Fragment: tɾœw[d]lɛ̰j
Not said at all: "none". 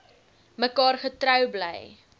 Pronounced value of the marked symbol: b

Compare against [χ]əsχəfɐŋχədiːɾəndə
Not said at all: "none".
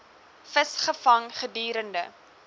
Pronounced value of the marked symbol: f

